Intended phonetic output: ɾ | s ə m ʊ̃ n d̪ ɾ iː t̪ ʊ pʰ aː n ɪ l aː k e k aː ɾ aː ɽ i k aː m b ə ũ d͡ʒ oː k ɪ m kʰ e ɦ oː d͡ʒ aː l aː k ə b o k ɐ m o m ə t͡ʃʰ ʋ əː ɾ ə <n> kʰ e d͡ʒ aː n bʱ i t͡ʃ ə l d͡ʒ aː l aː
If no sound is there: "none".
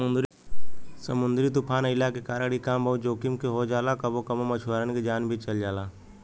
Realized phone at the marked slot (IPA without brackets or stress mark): n